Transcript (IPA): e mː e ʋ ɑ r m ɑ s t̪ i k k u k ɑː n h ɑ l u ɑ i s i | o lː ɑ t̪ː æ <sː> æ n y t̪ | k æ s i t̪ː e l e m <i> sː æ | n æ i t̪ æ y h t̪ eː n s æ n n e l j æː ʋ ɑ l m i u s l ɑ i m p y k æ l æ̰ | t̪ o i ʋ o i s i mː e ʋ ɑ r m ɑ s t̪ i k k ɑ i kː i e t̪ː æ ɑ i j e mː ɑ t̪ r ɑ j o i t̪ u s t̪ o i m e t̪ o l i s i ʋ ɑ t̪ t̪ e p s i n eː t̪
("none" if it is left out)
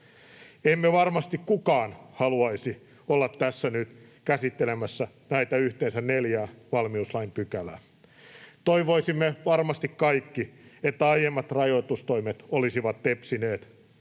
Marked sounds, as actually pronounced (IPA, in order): sː, æ

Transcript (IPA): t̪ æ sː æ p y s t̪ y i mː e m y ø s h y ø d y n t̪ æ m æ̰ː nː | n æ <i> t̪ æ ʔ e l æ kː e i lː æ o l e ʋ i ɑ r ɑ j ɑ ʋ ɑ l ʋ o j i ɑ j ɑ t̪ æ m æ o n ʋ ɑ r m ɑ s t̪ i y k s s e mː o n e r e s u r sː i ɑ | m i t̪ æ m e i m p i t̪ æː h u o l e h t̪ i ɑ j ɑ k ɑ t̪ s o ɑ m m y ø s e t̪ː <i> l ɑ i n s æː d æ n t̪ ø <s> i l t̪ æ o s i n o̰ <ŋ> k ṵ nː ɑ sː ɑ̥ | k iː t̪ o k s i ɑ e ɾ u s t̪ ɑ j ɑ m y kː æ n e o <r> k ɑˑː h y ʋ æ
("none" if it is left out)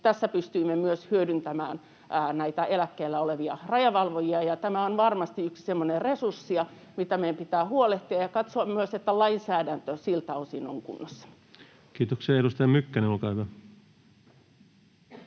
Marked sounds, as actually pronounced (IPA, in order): i, æ, s, ŋ, l

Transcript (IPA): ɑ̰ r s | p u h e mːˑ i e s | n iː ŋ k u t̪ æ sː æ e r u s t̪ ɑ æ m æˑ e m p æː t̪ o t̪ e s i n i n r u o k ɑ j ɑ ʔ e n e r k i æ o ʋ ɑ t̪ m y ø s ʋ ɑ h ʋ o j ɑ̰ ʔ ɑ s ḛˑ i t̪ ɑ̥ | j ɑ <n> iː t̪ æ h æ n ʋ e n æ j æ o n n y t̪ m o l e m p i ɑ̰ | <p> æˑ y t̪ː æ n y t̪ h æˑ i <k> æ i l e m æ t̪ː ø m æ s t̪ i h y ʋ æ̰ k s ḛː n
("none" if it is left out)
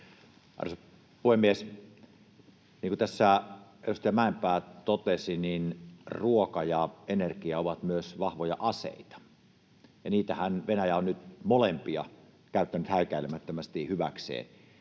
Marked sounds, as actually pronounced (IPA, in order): n, k, k

